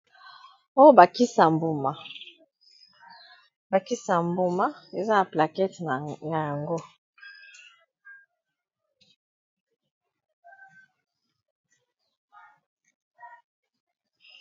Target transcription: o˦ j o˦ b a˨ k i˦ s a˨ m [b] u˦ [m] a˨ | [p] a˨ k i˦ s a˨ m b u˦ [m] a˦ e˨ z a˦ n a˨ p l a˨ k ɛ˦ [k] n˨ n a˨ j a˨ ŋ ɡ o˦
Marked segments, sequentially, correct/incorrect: correct, correct, incorrect: b, correct, incorrect: t

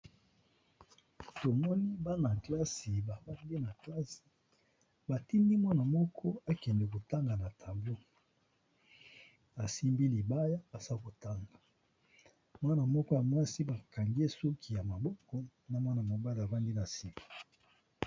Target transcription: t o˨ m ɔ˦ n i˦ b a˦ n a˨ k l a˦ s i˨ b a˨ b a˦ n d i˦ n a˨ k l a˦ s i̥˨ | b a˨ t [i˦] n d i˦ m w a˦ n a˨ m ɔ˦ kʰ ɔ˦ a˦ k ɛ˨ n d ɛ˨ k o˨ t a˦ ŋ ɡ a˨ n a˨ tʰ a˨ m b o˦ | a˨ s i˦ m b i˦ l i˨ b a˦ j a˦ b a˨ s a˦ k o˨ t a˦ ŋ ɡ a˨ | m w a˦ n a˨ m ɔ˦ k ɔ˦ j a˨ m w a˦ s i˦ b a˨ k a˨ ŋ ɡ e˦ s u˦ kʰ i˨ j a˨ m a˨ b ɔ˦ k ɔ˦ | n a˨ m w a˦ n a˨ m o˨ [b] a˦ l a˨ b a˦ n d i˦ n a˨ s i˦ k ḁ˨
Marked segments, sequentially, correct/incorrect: correct, correct

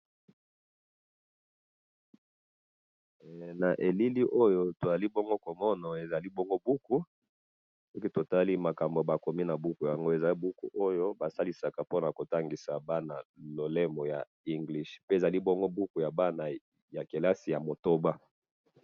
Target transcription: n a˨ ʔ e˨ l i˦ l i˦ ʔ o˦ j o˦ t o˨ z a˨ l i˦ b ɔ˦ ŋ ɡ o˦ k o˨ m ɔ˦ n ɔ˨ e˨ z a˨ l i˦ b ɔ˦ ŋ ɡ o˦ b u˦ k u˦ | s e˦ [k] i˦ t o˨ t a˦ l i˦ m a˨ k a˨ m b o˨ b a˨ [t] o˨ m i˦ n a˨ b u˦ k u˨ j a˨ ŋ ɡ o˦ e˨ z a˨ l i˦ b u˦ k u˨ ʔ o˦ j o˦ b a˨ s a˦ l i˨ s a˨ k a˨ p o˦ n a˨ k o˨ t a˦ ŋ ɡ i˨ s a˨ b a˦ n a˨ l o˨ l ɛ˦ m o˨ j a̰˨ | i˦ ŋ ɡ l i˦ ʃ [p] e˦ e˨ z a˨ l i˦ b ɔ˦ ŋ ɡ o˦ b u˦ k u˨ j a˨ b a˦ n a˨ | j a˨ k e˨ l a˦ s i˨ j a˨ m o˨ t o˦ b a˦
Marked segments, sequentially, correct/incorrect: correct, incorrect: k, correct

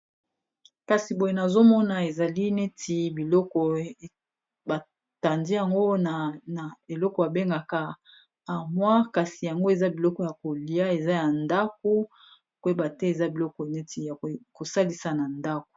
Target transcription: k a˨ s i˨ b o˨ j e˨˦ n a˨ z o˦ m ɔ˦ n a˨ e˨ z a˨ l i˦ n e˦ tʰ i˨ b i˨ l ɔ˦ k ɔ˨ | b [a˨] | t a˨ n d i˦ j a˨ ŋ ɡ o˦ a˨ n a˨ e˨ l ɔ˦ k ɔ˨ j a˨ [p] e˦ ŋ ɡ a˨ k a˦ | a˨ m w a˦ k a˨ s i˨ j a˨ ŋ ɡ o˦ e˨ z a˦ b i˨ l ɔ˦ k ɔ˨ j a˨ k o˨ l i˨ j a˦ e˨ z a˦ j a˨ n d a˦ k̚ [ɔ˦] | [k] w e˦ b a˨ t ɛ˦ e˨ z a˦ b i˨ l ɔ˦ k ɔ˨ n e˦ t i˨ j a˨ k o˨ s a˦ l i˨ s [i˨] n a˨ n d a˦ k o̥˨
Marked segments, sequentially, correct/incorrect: correct, incorrect: b, incorrect: o˦, correct, incorrect: a˨

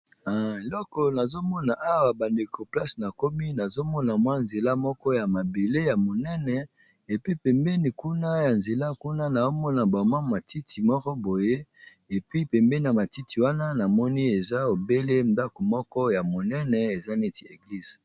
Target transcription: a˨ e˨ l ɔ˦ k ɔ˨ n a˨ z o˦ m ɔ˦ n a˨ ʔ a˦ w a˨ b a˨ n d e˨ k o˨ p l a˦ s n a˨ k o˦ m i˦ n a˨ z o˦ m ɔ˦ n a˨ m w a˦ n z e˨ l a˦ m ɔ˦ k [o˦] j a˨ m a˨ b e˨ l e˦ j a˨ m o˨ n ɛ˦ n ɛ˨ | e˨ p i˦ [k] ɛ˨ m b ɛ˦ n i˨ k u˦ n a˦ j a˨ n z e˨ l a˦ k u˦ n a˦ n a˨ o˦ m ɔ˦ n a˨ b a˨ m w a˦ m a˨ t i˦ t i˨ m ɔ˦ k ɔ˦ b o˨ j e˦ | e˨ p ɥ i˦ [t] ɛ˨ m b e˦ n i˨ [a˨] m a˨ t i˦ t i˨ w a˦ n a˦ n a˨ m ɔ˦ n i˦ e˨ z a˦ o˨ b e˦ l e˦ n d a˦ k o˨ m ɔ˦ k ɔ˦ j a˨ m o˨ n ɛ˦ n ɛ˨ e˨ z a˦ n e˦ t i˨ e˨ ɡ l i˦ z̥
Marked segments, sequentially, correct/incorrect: incorrect: ɔ˦, incorrect: p, incorrect: p, correct

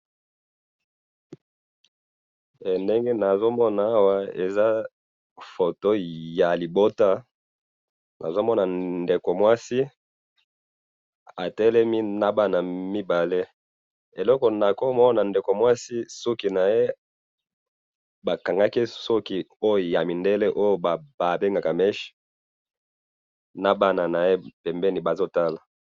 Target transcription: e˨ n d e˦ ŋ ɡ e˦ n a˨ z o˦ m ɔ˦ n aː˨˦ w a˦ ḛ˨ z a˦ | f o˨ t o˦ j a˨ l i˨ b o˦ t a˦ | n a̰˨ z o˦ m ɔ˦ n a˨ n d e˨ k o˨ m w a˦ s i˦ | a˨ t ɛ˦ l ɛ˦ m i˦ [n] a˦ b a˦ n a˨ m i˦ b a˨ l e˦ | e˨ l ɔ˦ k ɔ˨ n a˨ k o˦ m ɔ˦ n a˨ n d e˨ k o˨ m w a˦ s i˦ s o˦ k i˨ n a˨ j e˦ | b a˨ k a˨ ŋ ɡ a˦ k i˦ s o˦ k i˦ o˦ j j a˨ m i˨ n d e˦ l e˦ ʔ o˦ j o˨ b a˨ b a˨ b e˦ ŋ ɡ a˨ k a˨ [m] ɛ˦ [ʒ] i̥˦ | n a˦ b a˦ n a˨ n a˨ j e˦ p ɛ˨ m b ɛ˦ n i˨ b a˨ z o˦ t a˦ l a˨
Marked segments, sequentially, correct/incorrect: correct, correct, incorrect: ʃ

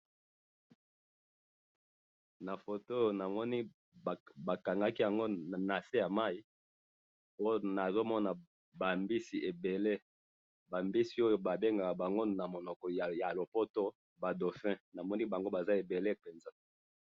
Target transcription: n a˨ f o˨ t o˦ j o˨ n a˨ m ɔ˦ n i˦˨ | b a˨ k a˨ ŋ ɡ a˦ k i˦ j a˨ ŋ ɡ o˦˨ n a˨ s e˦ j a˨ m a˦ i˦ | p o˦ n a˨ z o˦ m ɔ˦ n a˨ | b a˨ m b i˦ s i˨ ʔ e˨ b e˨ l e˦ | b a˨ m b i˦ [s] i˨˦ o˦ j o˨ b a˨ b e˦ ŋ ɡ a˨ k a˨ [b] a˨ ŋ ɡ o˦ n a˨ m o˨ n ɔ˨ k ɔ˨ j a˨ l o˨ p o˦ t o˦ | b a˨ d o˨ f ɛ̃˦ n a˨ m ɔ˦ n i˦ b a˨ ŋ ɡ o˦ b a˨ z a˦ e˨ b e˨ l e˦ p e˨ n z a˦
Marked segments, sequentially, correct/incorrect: correct, correct

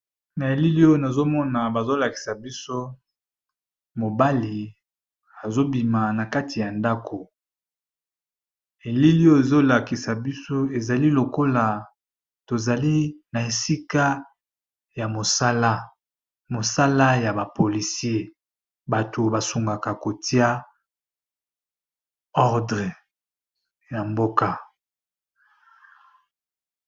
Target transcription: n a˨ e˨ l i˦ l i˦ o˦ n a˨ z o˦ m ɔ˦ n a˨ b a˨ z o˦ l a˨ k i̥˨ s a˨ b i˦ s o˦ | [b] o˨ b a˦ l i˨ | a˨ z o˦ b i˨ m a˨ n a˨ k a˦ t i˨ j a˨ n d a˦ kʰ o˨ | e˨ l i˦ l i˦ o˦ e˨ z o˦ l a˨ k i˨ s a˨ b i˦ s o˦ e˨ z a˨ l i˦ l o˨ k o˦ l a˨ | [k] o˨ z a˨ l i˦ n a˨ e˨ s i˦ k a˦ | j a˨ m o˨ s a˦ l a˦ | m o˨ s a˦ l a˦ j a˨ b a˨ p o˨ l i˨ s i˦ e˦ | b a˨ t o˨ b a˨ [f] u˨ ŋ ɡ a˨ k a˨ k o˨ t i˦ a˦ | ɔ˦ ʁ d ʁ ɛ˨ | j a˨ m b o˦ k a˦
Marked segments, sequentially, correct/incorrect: incorrect: m, incorrect: t, incorrect: s

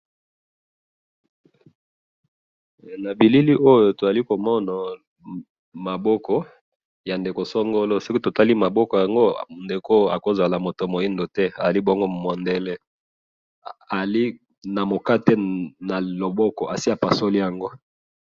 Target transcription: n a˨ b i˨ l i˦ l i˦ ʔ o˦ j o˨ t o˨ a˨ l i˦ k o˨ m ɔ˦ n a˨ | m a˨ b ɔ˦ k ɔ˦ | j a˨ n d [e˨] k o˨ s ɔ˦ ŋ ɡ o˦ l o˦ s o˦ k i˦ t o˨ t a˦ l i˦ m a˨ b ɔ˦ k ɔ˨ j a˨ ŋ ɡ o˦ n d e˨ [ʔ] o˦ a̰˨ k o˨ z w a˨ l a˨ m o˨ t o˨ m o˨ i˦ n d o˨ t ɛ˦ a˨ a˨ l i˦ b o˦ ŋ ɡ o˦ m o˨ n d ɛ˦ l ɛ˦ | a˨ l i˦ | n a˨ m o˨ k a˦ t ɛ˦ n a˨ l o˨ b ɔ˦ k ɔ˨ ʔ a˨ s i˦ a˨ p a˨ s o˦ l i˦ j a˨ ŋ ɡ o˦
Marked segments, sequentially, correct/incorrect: correct, incorrect: k

